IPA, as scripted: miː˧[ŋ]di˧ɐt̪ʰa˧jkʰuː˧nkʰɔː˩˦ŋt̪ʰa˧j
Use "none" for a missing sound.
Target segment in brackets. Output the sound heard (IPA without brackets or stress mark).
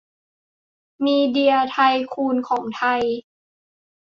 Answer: none